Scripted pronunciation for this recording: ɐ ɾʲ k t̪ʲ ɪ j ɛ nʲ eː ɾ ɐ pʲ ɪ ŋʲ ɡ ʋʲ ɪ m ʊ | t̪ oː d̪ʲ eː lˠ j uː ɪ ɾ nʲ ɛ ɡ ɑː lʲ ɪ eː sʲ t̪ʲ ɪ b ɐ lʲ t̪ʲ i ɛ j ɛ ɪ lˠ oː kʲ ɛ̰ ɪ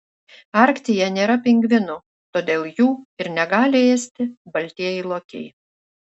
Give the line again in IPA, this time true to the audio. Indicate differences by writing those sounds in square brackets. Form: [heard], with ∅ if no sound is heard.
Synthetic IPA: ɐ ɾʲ k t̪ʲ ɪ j ɛ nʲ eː ɾ ɐ pʲ ɪ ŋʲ ɡ ʋʲ ɪ [n] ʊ | t̪ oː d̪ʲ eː lˠ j uː ɪ ɾ nʲ ɛ ɡ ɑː lʲ ɪ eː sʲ t̪ʲ ɪ b ɐ lʲ t̪ʲ i ɛ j ɛ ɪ lˠ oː kʲ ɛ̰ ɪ